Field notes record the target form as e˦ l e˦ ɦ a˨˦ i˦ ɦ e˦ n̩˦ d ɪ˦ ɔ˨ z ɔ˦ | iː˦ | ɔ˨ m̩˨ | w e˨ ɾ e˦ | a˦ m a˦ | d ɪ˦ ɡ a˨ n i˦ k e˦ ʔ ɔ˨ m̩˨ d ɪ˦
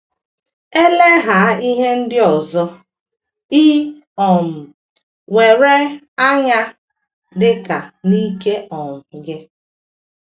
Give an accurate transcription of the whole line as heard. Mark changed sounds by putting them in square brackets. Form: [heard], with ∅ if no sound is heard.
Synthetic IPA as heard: e˦ l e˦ ɦ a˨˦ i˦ ɦ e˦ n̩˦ d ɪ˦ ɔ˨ z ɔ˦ | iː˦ | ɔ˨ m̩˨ | w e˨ ɾ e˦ | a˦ [ɲ] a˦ | d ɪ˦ [k] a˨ n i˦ k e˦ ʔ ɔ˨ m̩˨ [ɡ] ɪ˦